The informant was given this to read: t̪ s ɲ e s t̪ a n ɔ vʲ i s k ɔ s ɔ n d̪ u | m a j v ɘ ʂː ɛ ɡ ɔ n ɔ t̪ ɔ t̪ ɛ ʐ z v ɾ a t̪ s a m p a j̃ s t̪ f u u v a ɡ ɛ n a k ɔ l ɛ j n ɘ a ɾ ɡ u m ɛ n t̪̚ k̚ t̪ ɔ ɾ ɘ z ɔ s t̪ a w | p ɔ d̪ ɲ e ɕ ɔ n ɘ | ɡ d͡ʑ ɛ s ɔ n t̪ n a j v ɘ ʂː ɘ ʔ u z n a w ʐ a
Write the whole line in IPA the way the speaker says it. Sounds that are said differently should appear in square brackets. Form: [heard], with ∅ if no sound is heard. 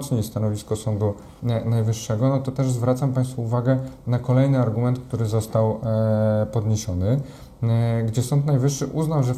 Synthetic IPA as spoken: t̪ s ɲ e s t̪ a n ɔ vʲ i s k ɔ s ɔ n d̪ u | [n] a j v ɘ ʂː ɛ ɡ ɔ n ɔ t̪ ɔ t̪ ɛ ʐ z v ɾ a t̪ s a m p a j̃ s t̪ f u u v a ɡ ɛ n a k ɔ l ɛ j n ɘ a ɾ ɡ u m ɛ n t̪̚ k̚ t̪ [u] ɾ ɘ z ɔ s t̪ a w | p ɔ d̪ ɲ e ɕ ɔ n ɘ | ɡ d͡ʑ ɛ s ɔ n t̪ n a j v ɘ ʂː ɘ ʔ u z n a w ʐ [ɛ]